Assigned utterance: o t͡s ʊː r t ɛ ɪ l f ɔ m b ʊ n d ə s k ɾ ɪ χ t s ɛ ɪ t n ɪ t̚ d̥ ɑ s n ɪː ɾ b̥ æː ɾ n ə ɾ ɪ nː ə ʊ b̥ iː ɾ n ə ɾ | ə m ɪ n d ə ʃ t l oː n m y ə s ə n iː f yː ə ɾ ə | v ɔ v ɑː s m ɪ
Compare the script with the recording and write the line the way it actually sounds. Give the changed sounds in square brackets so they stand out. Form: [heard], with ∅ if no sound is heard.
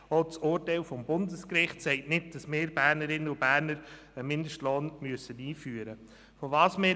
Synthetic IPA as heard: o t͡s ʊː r t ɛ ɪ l f ɔ m b ʊ n d ə s k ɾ ɪ χ t s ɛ ɪ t n ɪ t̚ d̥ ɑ s [m] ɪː ɾ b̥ æː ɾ n ə ɾ ɪ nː ə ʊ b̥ [æː] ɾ n ə ɾ | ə m ɪ n d ə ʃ t l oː n m y ə s ə n iː f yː ə ɾ ə | [f] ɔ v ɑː s m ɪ